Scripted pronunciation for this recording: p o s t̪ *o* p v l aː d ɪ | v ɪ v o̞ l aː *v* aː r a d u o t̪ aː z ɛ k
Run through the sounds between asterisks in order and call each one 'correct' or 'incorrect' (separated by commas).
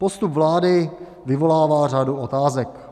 incorrect, correct